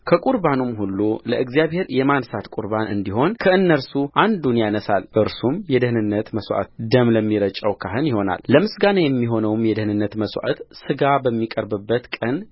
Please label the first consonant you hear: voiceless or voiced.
voiceless